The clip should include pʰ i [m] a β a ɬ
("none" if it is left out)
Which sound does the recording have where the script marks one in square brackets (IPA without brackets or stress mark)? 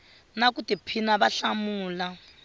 n